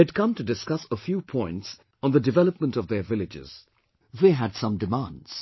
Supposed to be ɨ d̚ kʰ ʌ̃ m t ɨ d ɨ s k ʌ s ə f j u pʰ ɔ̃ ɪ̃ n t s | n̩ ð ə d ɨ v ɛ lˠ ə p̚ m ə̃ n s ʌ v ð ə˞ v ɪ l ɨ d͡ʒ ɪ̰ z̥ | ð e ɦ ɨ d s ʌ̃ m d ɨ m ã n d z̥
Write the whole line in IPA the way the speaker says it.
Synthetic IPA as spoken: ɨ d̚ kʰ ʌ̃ m t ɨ d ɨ s k ʌ s ə f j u pʰ ɔ̃ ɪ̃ n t s | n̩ ð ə d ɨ v ɛ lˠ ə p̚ m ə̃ n t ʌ v ð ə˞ v ɪ l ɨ d͡ʒ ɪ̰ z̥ | ð e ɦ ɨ d s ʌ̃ m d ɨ m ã n d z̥